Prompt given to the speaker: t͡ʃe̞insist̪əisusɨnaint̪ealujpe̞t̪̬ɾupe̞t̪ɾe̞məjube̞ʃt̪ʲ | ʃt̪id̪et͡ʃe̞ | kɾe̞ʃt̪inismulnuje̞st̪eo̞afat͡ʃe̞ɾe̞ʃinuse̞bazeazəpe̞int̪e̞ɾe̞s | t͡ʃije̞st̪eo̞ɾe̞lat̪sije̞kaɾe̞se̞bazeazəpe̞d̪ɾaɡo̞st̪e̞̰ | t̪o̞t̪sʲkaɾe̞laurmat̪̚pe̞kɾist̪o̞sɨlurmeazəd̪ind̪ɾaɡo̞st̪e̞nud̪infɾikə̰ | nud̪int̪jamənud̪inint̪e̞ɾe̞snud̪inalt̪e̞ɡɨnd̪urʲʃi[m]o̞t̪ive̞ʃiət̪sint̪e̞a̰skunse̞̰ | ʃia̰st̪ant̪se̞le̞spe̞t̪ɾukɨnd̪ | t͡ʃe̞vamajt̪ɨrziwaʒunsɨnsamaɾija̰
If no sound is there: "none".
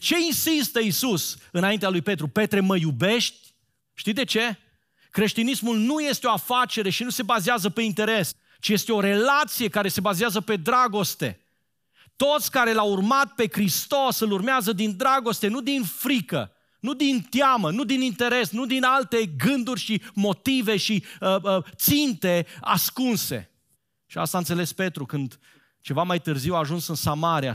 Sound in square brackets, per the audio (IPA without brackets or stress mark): m